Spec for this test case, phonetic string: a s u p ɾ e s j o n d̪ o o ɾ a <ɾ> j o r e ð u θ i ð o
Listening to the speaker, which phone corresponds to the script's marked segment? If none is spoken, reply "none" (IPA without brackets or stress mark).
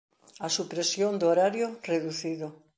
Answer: ɾ